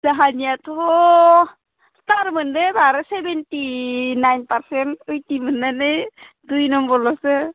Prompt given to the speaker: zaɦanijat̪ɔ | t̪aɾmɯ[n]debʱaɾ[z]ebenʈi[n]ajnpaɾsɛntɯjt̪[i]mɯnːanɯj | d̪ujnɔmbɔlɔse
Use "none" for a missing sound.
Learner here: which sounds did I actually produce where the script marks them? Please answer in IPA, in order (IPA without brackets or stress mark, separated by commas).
n, s, n, i